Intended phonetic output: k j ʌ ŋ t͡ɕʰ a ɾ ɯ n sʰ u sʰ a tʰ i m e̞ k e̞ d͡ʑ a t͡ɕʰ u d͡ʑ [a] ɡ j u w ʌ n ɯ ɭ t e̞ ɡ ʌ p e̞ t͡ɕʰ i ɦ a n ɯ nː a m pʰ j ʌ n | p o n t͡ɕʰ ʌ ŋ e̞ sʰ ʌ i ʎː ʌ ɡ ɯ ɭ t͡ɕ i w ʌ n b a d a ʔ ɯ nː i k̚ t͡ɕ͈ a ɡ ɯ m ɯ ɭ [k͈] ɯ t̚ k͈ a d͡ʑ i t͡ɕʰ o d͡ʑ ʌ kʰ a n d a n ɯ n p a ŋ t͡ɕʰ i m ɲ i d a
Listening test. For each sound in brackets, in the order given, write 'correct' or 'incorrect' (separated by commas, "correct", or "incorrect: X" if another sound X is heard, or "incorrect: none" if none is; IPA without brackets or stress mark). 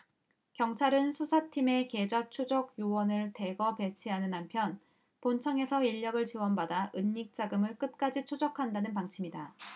incorrect: ʌ, correct